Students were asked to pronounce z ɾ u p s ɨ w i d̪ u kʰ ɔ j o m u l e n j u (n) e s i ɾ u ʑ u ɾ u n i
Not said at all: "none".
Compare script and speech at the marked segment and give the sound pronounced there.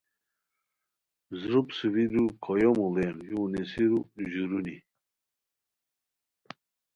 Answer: n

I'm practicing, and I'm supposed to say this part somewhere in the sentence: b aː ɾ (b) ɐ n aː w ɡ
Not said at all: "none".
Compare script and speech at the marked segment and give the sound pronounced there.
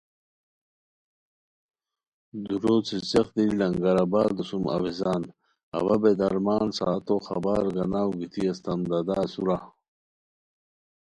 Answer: ɡ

